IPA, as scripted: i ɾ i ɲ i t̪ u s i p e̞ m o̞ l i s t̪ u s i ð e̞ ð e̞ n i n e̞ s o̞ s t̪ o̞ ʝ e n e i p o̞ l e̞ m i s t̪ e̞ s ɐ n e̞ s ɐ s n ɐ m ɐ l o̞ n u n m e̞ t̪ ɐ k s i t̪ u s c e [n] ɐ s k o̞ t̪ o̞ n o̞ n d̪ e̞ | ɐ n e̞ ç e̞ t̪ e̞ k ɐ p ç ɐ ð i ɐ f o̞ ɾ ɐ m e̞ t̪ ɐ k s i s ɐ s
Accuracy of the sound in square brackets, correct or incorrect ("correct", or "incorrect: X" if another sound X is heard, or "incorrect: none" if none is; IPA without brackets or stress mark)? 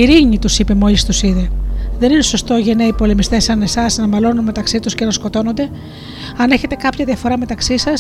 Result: correct